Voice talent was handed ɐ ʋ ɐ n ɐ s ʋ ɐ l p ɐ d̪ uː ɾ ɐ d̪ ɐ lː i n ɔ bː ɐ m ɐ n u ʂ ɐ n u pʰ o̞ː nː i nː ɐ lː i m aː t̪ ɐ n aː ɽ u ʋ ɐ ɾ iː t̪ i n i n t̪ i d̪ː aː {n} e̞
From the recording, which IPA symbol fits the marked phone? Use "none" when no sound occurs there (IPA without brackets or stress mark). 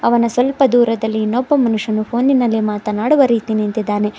n